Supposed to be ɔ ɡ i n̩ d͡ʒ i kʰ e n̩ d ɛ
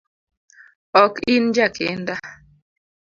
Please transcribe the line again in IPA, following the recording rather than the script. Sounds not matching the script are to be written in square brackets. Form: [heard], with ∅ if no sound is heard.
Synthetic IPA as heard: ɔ [k] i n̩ d͡ʒ [a] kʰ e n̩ d [a]